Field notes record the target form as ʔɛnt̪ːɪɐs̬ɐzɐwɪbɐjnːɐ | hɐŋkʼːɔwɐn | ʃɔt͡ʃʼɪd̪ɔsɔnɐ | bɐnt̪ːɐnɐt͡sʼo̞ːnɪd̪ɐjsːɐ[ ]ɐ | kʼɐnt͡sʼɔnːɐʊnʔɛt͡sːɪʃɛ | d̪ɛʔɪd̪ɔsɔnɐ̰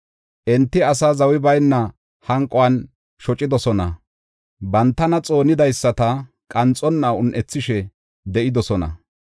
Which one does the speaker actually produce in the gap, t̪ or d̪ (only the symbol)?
t̪